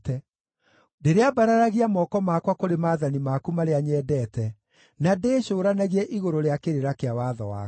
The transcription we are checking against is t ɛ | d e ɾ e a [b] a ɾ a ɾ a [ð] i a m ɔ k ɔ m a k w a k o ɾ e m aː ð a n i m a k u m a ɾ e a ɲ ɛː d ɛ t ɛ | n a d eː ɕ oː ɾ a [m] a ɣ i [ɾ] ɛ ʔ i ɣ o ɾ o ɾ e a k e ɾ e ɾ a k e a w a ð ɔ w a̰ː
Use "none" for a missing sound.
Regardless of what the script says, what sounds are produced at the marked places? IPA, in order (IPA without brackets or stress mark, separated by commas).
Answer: b, ɣ, n, none